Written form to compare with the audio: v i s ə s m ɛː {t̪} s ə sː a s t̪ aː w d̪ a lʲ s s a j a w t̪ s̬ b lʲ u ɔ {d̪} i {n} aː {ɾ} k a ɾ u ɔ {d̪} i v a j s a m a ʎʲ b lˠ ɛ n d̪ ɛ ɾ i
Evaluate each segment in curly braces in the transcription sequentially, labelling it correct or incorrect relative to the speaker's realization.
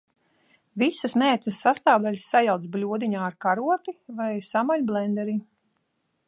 correct, correct, incorrect: ɲ, correct, incorrect: t̪

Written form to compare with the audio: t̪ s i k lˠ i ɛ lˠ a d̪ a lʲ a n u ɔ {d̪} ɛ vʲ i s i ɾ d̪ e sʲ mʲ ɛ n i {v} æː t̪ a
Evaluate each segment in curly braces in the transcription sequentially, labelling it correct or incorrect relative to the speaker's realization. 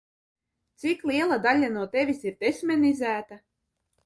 incorrect: t̪, incorrect: z

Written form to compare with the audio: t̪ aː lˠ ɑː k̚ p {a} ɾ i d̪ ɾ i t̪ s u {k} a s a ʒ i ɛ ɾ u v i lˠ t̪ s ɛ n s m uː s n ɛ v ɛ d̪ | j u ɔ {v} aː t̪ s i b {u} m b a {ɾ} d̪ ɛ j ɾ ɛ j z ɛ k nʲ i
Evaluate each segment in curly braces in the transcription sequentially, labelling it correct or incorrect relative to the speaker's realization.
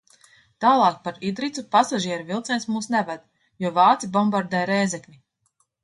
correct, incorrect: p, correct, incorrect: ɔ, correct

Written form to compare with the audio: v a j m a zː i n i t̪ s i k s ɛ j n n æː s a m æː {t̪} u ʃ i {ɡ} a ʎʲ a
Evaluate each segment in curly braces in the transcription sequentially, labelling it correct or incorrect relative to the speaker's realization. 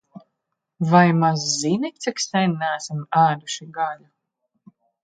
incorrect: d̪, correct

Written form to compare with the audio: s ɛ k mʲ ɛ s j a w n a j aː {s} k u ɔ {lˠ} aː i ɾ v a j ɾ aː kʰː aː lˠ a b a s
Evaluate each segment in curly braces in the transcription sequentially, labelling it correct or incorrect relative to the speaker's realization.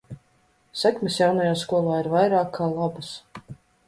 correct, correct

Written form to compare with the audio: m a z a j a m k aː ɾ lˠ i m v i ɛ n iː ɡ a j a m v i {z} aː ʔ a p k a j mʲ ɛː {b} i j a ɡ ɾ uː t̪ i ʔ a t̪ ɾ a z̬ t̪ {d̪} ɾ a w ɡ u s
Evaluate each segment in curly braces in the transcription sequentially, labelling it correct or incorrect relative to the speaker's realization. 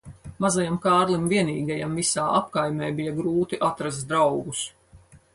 incorrect: s, correct, correct

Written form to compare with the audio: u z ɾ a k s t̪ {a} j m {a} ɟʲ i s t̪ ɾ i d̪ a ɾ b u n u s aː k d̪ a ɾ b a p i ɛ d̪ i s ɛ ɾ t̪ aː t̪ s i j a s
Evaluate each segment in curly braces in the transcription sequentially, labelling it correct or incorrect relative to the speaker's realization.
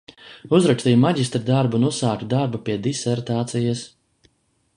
incorrect: i, correct

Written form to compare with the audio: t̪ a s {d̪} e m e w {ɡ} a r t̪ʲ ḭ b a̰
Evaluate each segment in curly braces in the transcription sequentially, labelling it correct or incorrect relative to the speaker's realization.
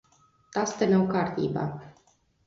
incorrect: t̪, incorrect: k

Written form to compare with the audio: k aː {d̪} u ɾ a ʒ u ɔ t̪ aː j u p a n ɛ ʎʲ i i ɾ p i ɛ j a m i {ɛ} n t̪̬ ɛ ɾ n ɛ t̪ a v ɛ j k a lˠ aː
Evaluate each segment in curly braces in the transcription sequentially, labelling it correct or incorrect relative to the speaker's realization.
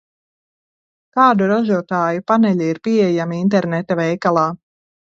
correct, incorrect: i

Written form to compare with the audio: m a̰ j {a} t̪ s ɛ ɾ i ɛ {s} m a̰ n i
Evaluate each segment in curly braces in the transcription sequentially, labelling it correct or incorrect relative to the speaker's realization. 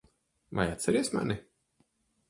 correct, correct

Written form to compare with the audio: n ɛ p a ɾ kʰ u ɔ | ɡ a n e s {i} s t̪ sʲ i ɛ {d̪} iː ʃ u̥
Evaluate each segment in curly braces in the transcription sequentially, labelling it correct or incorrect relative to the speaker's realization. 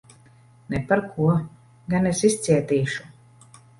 correct, incorrect: t̪

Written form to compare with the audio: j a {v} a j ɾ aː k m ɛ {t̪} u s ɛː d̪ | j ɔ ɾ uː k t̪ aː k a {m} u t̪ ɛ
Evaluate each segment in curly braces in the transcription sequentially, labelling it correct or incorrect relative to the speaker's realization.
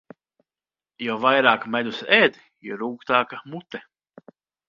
correct, incorrect: d̪, correct

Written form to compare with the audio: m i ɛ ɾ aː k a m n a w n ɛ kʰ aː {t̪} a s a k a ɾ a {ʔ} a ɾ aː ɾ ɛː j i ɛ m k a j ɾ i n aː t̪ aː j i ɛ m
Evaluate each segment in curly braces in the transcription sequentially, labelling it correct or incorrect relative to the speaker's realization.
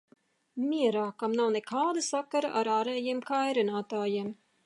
incorrect: d̪, correct

